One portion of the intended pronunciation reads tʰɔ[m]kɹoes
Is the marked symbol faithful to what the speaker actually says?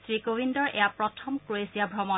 yes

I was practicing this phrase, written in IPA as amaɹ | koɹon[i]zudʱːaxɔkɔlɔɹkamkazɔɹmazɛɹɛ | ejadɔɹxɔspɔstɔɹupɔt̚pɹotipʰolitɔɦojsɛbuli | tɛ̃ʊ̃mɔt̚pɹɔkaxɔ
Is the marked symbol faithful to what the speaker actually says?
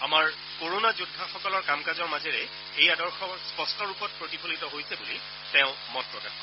no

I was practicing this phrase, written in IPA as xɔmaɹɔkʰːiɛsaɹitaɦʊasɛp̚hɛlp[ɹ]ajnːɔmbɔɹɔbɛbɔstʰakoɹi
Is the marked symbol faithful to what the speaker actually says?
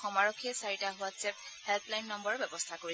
no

